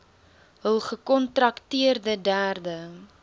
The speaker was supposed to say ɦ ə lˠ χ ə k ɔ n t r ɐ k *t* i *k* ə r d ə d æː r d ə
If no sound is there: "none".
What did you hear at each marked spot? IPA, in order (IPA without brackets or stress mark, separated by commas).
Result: t, none